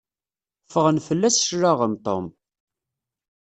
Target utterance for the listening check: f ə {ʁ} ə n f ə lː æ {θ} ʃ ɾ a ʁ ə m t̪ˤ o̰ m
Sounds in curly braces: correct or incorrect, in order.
correct, incorrect: s

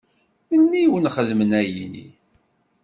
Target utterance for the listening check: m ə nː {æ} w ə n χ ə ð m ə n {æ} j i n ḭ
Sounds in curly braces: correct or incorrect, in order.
incorrect: i, correct

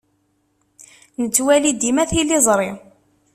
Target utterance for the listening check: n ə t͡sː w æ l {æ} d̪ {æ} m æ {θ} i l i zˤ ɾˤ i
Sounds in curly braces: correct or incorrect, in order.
incorrect: i, incorrect: i, correct

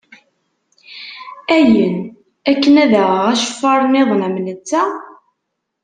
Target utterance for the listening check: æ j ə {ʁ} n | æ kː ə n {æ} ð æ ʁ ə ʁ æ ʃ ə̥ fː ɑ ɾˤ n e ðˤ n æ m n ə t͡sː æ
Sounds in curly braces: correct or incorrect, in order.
incorrect: none, correct

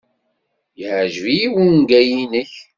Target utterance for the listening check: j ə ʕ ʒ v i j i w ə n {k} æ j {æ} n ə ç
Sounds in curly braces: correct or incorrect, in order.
incorrect: ɡ, incorrect: i

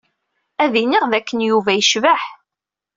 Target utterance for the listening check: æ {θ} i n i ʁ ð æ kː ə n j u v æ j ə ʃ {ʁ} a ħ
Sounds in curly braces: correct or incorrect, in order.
incorrect: ð, incorrect: v

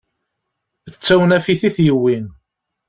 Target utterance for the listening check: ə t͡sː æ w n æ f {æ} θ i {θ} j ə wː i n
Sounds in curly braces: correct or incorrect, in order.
incorrect: i, correct

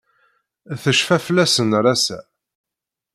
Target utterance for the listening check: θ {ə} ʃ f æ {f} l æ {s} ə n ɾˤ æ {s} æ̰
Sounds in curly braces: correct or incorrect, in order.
correct, correct, correct, correct

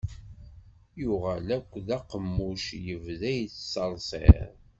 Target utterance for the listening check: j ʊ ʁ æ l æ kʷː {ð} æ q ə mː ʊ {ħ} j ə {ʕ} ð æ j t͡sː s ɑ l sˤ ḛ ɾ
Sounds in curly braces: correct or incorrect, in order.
correct, incorrect: ʃ, incorrect: v

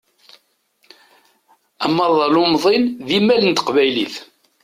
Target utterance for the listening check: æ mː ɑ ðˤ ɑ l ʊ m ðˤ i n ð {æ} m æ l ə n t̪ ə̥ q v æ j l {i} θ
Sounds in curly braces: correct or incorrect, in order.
incorrect: i, correct

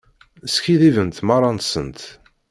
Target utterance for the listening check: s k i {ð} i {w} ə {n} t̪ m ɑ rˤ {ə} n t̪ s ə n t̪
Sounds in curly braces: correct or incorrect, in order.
correct, incorrect: v, correct, incorrect: ɑ

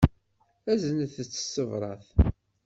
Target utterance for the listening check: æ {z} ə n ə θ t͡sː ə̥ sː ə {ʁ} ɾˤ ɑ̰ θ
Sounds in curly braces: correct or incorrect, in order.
correct, incorrect: v

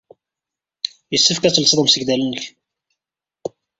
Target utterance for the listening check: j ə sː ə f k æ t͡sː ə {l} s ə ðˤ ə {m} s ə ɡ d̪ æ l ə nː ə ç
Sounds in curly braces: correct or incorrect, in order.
correct, correct

